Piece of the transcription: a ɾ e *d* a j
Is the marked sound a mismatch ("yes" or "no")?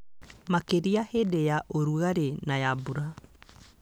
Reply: yes